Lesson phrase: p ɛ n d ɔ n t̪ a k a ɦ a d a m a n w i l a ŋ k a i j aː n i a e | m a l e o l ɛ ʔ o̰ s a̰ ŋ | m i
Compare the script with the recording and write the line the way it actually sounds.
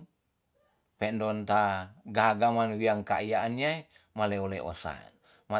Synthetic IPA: p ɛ n d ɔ n t̪ a ɡ a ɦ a ɡ a m a n w i a ŋ k a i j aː n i a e | m a l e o l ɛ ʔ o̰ s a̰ n | m a